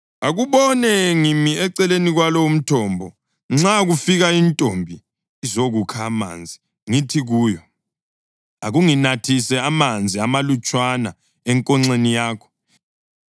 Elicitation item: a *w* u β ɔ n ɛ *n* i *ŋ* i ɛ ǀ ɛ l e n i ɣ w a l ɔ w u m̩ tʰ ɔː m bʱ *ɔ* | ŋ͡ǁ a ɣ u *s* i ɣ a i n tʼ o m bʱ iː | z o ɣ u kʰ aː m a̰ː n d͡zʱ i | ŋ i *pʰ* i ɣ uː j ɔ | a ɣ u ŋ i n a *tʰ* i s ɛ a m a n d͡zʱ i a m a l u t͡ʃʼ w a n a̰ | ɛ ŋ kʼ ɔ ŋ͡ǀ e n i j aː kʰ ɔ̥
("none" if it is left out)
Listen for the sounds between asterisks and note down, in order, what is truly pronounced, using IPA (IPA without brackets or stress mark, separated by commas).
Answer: ɣ, ŋ, m, ɔ, f, tʰ, tʰ